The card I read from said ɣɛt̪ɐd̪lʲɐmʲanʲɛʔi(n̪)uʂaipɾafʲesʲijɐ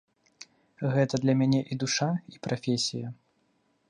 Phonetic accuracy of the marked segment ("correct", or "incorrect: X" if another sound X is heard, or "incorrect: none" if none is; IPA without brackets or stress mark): incorrect: d̪